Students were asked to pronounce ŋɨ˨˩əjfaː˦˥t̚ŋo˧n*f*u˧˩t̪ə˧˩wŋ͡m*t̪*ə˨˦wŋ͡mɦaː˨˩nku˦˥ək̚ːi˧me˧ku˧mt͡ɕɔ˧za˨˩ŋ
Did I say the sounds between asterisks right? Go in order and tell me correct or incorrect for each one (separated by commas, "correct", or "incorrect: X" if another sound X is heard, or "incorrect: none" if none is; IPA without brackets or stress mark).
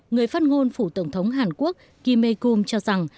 correct, incorrect: t̪ʰ